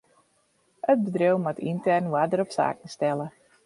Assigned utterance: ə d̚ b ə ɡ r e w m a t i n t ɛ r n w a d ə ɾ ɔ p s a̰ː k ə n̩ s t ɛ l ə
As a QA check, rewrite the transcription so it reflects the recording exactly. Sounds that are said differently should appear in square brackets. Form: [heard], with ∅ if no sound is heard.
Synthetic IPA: ə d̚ b ə [d] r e w m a t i n t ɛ r n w a d ə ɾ ɔ p s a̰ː k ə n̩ s t ɛ l ə